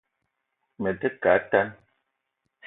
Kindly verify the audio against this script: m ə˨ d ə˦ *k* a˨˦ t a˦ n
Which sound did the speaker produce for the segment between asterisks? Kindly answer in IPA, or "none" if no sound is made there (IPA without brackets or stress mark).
k